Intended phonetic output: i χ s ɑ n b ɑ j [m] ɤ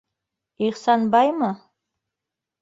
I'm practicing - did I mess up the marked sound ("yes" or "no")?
no